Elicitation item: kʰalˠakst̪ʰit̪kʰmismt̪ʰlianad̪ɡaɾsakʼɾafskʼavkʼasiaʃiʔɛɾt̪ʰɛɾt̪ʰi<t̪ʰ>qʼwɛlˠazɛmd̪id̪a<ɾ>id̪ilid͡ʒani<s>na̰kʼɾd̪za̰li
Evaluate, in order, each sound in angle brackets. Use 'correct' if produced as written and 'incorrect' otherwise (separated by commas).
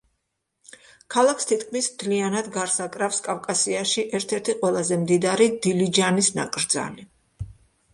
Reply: incorrect, correct, correct